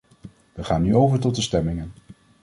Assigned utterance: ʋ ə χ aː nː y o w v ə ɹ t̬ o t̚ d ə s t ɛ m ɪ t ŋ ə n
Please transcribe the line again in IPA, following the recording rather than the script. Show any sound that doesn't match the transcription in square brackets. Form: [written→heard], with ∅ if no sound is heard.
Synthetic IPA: ʋ ə χ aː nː y o w v ə ɹ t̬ [o→ɔ] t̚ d ə s t ɛ m ɪ [t→∅] ŋ ə n